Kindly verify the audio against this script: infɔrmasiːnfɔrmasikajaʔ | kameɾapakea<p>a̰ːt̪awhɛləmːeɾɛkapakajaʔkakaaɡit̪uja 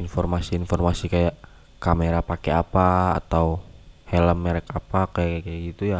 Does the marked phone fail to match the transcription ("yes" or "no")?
no